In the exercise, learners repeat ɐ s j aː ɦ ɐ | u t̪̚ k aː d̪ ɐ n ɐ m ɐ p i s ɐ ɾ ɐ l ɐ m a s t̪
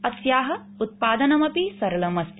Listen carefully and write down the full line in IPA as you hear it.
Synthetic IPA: ɐ s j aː ɦ ɐ | u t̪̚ p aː d̪ ɐ n ɐ m ɐ p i s ɐ ɾ ɐ l ɐ m ɐ s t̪